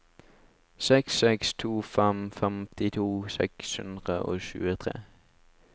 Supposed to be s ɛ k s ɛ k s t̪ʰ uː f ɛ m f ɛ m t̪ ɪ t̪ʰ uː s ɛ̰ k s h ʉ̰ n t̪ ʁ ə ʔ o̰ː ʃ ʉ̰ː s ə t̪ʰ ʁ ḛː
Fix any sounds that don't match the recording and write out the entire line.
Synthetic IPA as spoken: s ɛ k s ɛ k s t̪ʰ uː f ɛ m f ɛ m t̪ ɪ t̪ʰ uː s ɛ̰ k s h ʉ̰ n d̪ ʁ ə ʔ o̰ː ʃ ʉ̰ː ə t̪ʰ ʁ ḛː

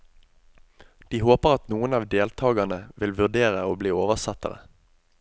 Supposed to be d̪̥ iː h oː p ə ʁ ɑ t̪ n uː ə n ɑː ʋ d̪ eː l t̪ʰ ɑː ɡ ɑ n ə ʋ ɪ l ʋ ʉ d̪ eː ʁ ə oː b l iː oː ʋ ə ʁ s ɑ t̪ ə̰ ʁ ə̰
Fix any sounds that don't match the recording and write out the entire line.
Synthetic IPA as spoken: d̪̥ iː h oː p ə ʁ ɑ t̪ n uː ə n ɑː ʋ d̪ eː l t̪ʰ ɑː ɡ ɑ n ə ʋ ɪ l ʋ ʉ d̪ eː ʁ ə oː b l iː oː ʋ ə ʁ s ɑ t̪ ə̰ ʁ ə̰

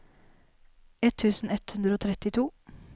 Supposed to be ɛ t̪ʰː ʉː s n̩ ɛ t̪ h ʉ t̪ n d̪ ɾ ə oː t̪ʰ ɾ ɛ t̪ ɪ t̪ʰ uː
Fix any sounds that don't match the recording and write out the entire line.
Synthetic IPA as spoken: ɛ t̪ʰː ʉː s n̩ ɛ t̪ h ʉ n d̪ ɾ ə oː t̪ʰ ɾ ɛ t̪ ɪ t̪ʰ uː

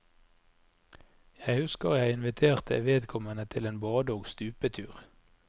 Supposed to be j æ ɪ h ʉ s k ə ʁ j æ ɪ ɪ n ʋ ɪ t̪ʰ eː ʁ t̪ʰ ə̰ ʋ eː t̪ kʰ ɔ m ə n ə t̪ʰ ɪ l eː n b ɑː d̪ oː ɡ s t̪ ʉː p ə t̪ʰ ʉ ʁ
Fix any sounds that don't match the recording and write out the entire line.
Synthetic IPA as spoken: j æ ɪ h ʉ s k ə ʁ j æ ɪ ɪ n ʋ ɪ t̪ʰ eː ʁ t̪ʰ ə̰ ʋ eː d̪ kʰ ɔ m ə n ə t̪ʰ ɪ l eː n b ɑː d̪ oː ɡ s t̪ ʉː p ə t̪ʰ ʉː ʁ

